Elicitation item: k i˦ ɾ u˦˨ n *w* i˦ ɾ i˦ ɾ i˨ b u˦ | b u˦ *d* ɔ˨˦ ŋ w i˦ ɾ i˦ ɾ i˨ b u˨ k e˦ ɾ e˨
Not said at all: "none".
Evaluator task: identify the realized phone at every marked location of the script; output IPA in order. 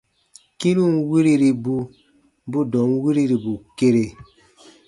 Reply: w, d

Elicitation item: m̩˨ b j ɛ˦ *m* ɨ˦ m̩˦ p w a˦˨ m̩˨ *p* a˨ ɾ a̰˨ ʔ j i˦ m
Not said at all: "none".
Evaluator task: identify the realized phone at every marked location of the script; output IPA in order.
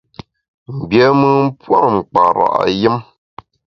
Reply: m, k͡p

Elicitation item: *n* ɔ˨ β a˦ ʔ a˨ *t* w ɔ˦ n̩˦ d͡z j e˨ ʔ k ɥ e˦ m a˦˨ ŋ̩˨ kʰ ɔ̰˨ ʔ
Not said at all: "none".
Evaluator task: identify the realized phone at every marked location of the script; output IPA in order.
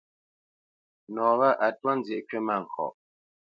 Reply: n, t

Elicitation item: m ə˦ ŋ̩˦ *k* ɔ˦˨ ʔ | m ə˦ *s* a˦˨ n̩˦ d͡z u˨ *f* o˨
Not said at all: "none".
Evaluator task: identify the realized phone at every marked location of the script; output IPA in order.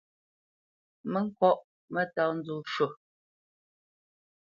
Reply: k, t, ʃ

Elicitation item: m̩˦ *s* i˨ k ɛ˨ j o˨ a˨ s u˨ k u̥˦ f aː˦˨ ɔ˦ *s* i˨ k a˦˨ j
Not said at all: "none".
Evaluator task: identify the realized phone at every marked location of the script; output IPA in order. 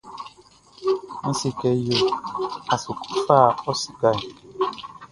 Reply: s, s

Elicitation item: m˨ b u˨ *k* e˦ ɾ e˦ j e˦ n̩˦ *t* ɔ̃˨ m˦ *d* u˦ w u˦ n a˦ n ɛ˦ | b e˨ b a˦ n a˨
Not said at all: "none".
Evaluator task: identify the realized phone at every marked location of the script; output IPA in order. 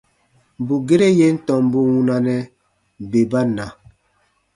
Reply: ɡ, t, b

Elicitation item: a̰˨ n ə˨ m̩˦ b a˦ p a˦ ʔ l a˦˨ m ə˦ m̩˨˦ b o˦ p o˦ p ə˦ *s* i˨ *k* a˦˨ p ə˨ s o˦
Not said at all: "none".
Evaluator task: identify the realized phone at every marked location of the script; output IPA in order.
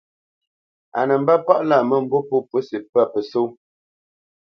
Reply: s, p

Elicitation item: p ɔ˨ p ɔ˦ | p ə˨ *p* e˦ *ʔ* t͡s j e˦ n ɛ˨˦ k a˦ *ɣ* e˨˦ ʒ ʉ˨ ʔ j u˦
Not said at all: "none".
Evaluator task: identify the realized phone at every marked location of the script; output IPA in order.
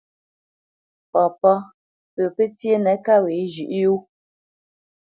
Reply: p, none, w

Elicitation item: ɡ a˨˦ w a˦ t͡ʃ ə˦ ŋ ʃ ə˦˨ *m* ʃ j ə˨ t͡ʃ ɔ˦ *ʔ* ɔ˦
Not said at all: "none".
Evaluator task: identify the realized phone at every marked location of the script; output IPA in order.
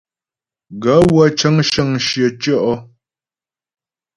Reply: ŋ, ʔ

